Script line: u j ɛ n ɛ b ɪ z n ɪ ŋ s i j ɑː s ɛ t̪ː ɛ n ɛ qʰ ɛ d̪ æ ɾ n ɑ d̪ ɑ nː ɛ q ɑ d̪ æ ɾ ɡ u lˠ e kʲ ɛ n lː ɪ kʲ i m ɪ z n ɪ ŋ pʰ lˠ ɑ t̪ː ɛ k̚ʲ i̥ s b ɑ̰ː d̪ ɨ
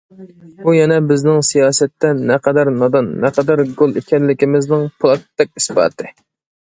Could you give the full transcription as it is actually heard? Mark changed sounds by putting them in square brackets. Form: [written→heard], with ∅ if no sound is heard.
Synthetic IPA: u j ɛ n ɛ b ɪ z n ɪ ŋ s i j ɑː s ɛ t̪ː ɛ n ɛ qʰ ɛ d̪ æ ɾ n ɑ d̪ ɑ nː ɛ q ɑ d̪ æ ɾ ɡ [u→o] lˠ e kʲ ɛ n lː ɪ kʲ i m ɪ z n ɪ ŋ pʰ lˠ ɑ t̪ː ɛ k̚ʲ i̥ s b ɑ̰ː [d̪→t̪] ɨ